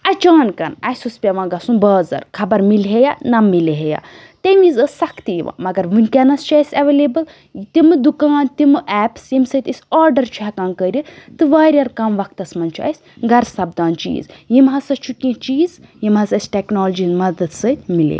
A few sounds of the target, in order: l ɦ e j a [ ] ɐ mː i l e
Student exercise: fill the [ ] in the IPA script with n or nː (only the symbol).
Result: n